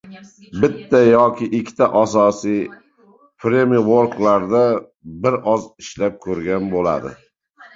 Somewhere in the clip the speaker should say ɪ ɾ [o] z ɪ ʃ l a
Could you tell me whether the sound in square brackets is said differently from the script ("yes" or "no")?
yes